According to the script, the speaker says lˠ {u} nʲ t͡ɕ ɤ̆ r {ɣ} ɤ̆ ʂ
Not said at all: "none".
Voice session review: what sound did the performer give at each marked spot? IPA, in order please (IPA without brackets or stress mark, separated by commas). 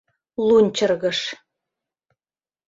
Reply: u, ɣ